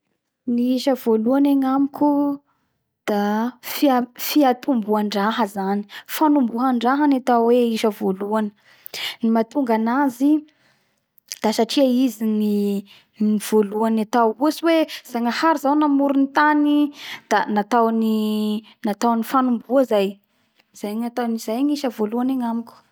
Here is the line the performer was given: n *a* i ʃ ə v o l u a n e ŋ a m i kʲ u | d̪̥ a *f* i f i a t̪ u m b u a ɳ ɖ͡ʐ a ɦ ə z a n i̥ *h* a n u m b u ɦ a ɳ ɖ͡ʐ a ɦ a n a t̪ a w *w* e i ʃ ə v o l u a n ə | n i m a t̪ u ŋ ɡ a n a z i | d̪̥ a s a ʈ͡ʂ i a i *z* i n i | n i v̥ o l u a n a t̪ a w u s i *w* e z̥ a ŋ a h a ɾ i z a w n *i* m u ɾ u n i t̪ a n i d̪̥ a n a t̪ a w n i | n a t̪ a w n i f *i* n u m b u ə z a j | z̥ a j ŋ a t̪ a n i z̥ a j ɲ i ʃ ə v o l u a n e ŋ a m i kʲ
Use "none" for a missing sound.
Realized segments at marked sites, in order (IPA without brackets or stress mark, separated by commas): i, f, f, w, z, w, a, a